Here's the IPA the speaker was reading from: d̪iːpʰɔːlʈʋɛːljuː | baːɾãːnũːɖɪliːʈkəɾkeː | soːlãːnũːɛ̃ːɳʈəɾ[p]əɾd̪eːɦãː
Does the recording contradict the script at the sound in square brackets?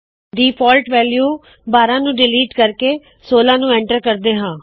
yes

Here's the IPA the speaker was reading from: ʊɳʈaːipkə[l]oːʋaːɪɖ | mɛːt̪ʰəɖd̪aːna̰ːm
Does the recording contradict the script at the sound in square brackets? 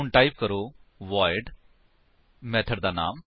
yes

